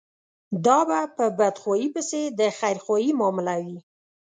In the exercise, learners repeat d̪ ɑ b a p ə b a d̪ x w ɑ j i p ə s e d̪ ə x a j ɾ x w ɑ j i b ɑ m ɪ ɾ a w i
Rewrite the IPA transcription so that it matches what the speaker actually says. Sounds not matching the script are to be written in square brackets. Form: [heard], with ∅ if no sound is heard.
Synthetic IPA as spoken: d̪ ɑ b a p ə b a d̪ x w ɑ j i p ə s e d̪ ə x a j ɾ x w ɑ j i [m] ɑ m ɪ [l] a w i